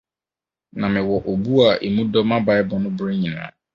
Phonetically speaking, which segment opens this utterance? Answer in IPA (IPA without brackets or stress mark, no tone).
n